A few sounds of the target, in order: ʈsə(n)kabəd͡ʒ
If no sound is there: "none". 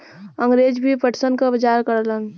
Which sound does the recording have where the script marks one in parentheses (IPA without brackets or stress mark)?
n